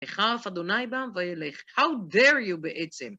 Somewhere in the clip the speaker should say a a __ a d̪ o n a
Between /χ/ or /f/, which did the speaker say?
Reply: f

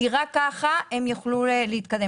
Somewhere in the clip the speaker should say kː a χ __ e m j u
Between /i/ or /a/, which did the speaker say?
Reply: a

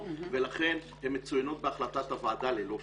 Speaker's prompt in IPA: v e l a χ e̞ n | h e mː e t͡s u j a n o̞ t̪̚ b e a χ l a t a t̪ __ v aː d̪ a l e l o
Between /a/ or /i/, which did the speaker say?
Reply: a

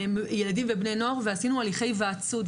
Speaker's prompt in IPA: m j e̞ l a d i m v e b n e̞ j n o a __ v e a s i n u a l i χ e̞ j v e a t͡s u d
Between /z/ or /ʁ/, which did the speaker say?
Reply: ʁ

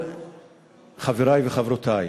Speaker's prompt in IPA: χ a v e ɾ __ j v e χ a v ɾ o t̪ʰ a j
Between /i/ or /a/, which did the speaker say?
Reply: a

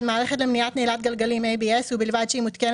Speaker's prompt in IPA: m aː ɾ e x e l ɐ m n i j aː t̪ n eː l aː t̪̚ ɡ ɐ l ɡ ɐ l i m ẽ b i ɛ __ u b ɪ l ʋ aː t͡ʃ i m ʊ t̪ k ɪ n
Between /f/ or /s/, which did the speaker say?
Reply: s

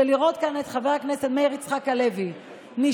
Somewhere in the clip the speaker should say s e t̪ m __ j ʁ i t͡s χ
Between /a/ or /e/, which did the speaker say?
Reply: e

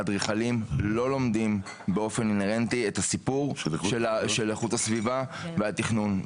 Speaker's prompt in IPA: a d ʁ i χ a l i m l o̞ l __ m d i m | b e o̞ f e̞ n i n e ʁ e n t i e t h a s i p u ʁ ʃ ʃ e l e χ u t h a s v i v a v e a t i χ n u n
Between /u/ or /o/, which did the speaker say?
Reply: o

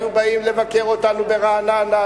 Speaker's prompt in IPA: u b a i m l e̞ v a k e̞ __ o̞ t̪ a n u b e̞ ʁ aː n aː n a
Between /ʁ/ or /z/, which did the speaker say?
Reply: ʁ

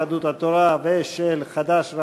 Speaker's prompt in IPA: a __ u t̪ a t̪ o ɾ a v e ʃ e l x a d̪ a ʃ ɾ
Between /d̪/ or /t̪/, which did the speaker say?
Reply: d̪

